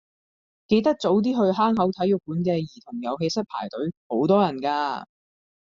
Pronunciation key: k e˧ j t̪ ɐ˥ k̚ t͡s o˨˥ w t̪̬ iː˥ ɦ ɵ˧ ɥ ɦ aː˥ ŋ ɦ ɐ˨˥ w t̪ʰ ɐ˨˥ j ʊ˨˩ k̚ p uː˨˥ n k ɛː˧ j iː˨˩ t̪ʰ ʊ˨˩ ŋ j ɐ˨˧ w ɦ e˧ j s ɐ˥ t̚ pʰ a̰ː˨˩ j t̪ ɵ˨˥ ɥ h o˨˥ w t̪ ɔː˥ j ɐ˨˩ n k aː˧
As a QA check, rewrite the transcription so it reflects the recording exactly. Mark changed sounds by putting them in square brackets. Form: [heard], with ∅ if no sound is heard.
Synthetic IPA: k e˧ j t̪ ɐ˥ k̚ t͡s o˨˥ w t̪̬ iː˥ ɦ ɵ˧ ɥ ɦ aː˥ ŋ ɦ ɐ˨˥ w t̪ʰ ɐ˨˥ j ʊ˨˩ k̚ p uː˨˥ n k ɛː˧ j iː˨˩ t̪ʰ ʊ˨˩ ŋ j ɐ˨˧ w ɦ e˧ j s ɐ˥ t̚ pʰ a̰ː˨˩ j t̪ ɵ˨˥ ɥ h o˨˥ w t̪ ɔː˥ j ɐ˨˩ n k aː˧